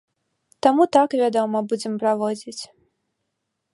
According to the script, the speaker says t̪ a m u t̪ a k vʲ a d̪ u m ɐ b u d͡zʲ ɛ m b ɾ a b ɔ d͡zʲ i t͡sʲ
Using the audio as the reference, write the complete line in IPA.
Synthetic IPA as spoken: t̪ a m u t̪ a k vʲ a d̪ ɔ m ɐ b u d͡zʲ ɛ m p ɾ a v ɔ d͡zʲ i t͡sʲ